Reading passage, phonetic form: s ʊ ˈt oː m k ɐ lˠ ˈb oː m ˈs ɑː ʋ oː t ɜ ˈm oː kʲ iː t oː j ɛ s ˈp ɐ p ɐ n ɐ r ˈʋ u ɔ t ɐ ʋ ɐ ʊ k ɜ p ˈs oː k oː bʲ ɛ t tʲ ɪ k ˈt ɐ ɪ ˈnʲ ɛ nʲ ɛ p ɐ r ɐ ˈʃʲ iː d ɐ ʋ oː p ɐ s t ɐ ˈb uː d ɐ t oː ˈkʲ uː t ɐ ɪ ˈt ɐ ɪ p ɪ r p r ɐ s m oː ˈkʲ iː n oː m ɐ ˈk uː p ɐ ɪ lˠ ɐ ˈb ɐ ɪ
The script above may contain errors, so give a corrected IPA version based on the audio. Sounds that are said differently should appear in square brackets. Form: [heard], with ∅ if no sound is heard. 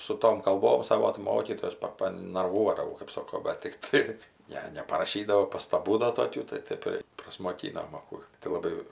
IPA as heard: s ʊ ˈt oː m k ɐ lˠ ˈb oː m ˈs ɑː ʋ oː t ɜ ˈm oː kʲ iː t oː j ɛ s ˈp ɐ p ɐ n ɐ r ˈʋ u ɔ [d] ɐ ʋ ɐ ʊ k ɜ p ˈs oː k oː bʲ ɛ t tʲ ɪ k ˈt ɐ ɪ ˈnʲ ɛ nʲ ɛ p ɐ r ɐ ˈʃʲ iː d ɐ ʋ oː p ɐ s t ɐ ˈb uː d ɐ t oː ˈkʲ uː t ɐ ɪ ˈt ɐ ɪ p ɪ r p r ɐ s m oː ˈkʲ iː n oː m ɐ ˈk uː [t] ɐ ɪ lˠ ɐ ˈb ɐ ɪ